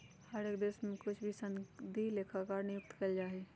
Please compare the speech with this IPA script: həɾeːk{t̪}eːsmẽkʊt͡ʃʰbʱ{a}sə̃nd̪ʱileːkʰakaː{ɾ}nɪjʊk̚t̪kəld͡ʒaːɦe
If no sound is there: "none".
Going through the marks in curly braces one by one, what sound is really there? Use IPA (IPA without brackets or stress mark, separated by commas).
d̪, i, ɾ